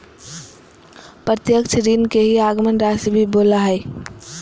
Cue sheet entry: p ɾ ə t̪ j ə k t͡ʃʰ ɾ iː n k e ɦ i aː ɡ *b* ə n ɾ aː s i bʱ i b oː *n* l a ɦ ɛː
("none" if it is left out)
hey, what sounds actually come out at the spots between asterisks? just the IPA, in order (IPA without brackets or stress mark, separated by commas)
m, none